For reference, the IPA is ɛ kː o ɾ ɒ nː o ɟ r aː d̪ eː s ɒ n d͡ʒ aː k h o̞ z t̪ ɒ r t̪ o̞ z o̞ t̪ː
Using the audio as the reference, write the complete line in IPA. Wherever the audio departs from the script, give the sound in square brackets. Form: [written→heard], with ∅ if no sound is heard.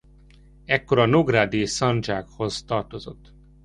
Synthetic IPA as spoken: ɛ kː o ɾ ɒ [nː→n] o [ɟ→ɡ] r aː d̪ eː s ɒ n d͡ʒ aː k h o̞ z t̪ ɒ r t̪ o̞ z o̞ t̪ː